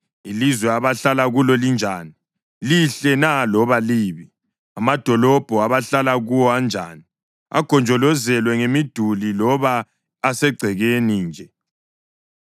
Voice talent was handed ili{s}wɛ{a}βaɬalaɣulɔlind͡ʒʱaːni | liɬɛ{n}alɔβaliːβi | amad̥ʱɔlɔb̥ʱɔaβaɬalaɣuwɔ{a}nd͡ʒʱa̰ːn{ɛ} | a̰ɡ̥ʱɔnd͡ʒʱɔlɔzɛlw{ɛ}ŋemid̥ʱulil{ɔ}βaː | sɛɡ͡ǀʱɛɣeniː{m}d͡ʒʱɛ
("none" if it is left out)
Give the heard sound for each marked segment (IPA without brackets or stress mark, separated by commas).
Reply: z, a, n, a, i, ɛ, ɔ, n